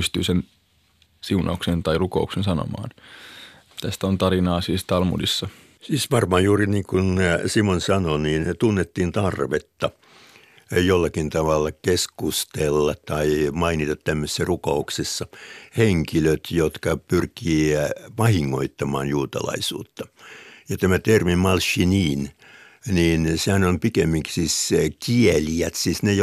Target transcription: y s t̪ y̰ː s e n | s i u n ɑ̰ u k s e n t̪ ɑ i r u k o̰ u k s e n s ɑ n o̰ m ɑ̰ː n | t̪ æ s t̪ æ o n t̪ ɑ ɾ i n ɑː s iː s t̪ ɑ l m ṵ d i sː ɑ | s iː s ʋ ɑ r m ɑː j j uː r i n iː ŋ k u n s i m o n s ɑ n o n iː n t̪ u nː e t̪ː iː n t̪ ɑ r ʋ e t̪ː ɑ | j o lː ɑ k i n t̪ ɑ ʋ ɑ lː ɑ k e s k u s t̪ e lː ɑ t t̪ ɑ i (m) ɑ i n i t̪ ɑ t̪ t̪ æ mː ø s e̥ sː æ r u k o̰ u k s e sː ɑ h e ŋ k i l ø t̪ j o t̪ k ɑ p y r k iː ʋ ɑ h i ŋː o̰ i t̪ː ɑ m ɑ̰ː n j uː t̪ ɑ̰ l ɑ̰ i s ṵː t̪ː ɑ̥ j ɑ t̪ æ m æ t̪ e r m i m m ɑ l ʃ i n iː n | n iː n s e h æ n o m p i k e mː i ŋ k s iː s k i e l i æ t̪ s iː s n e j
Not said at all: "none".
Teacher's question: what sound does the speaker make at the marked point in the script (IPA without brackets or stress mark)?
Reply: m